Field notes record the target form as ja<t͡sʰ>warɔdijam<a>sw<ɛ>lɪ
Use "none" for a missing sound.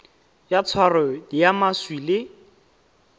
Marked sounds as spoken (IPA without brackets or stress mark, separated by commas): t͡sʰ, a, i